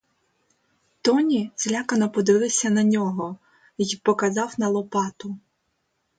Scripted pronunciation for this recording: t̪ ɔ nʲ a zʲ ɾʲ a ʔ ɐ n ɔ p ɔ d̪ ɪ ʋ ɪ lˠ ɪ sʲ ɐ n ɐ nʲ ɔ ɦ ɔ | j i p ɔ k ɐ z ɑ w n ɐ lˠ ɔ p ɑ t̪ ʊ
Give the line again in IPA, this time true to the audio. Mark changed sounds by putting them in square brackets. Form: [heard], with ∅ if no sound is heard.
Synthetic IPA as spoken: t̪ ɔ nʲ [i] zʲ [lʲ] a [k] ɐ n ɔ p ɔ d̪ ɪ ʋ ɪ lˠ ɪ sʲ ɐ n ɐ nʲ ɔ ɦ ɔ | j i p ɔ k ɐ z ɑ w n ɐ lˠ ɔ p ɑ t̪ ʊ